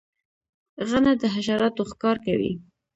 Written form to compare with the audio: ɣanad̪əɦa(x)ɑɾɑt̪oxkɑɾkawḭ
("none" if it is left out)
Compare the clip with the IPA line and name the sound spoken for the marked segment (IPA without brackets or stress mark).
ʃ